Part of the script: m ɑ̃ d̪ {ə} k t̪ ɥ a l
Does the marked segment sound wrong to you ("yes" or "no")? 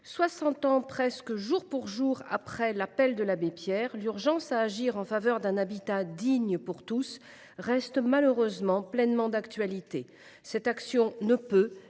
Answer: yes